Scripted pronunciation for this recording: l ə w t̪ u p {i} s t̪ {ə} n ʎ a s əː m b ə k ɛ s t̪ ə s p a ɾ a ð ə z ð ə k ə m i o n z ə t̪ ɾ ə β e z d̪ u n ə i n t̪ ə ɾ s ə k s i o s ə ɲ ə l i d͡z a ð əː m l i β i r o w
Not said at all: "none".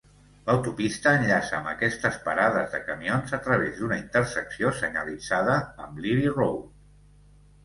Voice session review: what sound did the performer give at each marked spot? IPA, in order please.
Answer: i, əː

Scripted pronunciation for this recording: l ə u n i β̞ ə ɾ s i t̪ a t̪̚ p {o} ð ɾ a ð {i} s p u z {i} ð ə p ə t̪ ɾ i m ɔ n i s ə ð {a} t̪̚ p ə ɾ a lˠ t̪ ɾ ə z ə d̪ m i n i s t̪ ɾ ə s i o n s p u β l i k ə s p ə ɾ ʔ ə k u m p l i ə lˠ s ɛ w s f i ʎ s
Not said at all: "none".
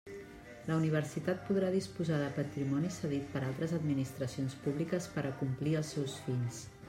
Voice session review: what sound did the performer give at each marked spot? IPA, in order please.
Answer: u, i, a, i

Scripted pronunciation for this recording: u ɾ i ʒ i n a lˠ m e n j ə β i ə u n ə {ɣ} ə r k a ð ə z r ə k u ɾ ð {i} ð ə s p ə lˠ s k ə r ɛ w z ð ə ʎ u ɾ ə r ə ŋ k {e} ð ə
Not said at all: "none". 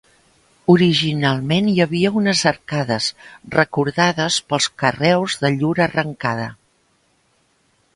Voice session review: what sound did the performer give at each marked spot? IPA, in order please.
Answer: z, a, a

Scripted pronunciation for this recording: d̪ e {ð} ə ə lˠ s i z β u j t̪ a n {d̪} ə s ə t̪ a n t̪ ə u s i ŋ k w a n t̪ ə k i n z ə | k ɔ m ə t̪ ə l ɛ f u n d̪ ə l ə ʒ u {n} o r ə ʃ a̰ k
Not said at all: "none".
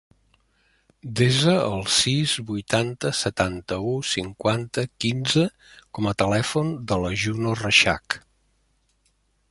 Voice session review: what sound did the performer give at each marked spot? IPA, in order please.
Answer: z, t̪, n

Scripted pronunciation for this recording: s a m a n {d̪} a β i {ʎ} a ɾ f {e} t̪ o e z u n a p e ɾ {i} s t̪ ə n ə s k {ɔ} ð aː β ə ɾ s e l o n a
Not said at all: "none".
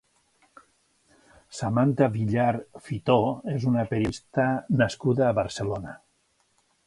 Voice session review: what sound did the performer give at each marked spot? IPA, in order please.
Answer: t̪, ʎ, i, i, u

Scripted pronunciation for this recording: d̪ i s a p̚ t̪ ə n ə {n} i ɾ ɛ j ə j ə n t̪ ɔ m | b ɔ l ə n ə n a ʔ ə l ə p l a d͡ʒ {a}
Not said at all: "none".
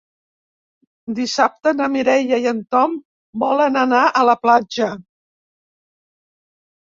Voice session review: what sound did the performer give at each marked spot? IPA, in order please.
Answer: m, ə

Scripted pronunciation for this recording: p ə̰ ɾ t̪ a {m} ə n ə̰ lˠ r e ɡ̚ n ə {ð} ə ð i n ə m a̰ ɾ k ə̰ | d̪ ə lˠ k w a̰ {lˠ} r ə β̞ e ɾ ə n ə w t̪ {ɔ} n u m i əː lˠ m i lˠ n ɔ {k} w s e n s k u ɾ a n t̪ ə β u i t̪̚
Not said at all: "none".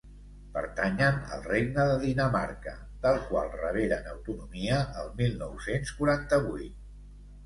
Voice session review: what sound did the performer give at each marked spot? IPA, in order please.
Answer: ɲ, ð, lˠ, u, none

